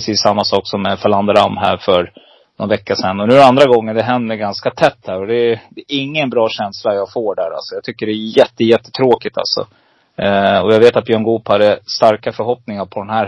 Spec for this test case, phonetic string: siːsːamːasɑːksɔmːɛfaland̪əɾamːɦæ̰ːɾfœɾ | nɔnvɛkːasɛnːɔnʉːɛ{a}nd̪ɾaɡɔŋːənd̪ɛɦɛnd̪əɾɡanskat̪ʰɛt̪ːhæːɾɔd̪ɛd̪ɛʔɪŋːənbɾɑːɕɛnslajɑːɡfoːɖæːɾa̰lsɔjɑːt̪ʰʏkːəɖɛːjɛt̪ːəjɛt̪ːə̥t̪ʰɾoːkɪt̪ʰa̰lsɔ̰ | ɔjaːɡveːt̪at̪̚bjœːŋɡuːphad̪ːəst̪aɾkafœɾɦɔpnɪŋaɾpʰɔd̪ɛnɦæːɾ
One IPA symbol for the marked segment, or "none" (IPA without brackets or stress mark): a